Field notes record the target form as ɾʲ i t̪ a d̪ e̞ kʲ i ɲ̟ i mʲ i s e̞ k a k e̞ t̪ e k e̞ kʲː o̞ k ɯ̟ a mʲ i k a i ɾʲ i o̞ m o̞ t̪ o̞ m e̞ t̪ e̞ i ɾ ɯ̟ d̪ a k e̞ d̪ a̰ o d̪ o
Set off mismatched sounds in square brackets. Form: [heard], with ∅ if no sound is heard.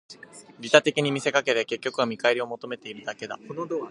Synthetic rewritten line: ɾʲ i t̪ a [t̪] e̞ kʲ i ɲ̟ i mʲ i s e̞ k a k e̞ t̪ e k e̞ kʲː o̞ k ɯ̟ a mʲ i k a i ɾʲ i o̞ m o̞ t̪ o̞ m e̞ t̪ e̞ i ɾ ɯ̟ d̪ a k e̞ d̪ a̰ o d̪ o